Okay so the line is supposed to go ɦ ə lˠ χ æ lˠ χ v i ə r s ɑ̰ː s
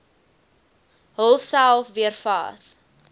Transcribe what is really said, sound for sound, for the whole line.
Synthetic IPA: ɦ ə lˠ s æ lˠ f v i ə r f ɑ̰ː s